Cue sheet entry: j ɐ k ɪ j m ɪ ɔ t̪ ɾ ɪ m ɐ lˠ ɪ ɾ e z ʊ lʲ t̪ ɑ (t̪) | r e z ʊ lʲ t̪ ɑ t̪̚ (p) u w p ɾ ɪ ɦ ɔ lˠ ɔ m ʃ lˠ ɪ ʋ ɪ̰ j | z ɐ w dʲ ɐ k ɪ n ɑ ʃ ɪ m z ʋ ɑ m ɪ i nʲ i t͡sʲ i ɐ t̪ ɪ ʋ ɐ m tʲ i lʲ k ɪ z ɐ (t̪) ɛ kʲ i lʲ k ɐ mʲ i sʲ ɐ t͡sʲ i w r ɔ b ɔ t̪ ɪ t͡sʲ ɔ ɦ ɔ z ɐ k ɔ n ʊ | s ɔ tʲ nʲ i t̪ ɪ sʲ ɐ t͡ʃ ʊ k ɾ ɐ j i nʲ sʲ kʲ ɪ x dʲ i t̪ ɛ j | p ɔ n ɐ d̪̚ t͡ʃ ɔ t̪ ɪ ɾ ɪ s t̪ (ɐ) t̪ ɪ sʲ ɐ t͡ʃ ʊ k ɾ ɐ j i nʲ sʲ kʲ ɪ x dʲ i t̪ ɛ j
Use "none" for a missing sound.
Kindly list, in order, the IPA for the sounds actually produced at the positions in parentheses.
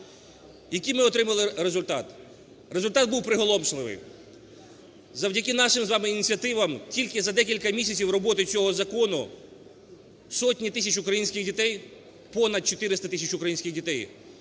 t̪, b, d̪, ɐ

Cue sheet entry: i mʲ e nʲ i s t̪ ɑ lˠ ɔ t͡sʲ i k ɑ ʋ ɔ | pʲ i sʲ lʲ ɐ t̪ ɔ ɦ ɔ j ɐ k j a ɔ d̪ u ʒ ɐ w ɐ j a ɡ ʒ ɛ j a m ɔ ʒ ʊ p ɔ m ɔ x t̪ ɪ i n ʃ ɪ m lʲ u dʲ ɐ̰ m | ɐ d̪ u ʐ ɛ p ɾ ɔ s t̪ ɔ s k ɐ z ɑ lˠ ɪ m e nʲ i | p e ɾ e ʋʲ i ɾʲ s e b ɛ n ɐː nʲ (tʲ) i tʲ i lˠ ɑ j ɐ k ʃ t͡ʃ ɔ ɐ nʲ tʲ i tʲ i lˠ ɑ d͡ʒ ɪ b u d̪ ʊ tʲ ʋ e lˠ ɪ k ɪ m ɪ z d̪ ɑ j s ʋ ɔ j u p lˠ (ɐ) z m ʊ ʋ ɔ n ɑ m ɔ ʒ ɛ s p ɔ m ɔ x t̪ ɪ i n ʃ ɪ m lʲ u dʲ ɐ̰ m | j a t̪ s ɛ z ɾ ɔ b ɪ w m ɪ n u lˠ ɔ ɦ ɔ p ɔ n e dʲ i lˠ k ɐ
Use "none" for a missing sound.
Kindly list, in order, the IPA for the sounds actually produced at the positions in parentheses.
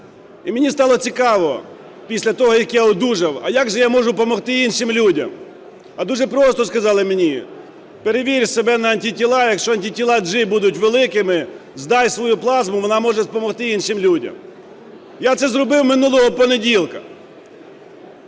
tʲ, ɑ

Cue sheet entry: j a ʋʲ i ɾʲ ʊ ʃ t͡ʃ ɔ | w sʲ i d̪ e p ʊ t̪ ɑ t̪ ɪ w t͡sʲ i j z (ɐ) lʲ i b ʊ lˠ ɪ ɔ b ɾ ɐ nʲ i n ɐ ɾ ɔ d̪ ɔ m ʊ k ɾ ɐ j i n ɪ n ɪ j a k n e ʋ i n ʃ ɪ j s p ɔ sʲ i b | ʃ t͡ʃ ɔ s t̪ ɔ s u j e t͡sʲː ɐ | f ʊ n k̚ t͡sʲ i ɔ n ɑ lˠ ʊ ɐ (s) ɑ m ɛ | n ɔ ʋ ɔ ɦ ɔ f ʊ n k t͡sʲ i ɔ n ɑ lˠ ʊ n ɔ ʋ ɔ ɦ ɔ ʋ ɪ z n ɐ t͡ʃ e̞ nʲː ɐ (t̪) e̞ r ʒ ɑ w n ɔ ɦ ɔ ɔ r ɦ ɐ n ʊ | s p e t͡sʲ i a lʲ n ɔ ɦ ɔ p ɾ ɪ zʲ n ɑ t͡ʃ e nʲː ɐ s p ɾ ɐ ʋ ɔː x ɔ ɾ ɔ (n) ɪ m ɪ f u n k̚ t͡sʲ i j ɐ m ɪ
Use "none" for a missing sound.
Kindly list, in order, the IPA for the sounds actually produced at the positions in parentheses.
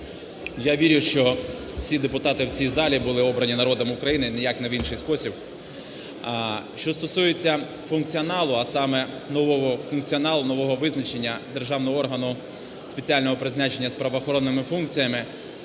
ɑ, s, d̪, nː

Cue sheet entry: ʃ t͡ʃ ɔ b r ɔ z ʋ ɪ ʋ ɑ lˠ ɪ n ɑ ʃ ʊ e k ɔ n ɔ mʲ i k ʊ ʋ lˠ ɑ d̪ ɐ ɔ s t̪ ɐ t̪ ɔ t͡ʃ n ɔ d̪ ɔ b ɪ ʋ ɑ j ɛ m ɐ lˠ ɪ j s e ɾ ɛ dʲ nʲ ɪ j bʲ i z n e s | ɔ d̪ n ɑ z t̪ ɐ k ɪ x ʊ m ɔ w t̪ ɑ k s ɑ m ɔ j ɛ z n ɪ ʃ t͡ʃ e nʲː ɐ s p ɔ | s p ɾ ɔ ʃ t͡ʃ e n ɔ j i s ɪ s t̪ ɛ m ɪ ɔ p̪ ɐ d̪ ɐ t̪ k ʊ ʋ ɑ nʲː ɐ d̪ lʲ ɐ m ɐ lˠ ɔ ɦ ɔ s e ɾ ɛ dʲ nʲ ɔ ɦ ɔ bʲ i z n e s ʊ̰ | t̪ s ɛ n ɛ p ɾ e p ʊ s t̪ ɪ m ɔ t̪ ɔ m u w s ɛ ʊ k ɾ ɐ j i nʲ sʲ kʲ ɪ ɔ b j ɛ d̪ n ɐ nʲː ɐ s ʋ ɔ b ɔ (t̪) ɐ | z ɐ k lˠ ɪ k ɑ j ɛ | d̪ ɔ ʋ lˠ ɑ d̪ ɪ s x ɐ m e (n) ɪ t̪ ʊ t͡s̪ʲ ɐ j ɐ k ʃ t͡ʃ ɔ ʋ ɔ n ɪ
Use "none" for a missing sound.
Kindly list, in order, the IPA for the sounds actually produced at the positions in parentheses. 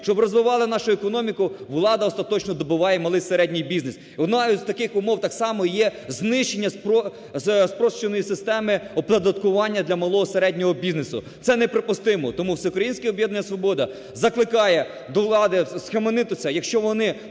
d̪, n

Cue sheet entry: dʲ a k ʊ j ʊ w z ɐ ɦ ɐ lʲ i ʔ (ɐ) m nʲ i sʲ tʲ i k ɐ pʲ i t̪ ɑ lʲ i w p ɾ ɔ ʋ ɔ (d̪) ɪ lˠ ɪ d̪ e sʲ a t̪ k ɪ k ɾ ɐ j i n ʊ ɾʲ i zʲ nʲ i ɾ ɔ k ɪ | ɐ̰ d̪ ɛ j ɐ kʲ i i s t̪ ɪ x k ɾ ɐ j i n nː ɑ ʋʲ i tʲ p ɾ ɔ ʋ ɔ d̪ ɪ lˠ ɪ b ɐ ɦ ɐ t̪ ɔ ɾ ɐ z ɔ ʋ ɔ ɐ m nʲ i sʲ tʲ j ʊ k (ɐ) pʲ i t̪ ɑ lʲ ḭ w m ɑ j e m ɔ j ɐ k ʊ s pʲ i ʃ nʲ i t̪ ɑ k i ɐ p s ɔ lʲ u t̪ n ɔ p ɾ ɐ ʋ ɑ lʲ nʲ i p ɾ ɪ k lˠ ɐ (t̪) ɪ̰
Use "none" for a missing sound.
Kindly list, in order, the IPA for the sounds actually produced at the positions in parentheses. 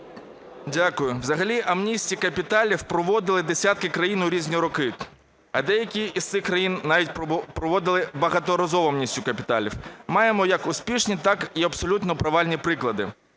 ɐ, d̪, ɐ, d̪

